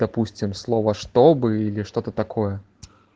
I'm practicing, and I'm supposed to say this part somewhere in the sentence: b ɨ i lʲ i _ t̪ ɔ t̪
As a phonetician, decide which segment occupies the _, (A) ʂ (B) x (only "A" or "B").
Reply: A